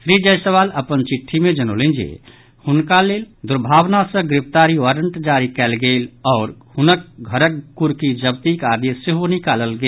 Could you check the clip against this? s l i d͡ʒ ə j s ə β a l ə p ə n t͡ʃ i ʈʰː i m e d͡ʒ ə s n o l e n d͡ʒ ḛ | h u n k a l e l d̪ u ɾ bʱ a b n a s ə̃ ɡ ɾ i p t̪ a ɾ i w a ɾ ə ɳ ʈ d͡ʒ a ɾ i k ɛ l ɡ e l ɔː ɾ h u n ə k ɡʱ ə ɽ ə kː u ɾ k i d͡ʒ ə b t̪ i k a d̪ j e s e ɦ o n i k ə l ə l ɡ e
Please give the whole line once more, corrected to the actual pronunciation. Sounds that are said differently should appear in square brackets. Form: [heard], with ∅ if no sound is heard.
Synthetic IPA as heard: s [ɾ] i d͡ʒ ə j s ə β a l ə p ə n t͡ʃ i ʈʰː i m e d͡ʒ ə [∅] n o l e n d͡ʒ ḛ | h u n k a l e l d̪ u ɾ bʱ a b n a s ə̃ ɡ ɾ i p t̪ a ɾ i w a ɾ ə ɳ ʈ d͡ʒ a ɾ i k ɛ l ɡ e l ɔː ɾ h u n ə k ɡʱ ə [ɾ] ə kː u ɾ k i d͡ʒ ə b t̪ i k a d̪ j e s e ɦ o n i k [a] l ə l ɡ e